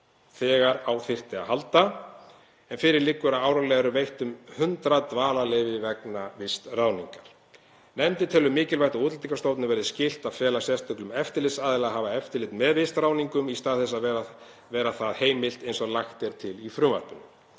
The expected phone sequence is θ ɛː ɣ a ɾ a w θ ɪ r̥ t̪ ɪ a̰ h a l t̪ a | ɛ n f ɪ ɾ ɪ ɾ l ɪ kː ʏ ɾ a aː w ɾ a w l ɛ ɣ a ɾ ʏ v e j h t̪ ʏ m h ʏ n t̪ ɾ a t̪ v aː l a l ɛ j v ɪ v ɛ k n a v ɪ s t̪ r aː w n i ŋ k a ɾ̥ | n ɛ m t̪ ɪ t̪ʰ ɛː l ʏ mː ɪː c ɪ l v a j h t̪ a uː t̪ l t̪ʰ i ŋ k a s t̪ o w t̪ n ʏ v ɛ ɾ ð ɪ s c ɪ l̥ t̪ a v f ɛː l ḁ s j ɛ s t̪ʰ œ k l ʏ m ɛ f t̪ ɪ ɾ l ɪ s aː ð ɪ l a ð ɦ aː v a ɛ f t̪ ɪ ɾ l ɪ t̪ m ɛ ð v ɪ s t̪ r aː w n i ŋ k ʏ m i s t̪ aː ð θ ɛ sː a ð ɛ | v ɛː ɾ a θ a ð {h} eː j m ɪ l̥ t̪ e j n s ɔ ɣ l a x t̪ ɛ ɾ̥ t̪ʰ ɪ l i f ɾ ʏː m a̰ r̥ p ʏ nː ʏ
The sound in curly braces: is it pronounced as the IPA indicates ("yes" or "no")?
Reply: yes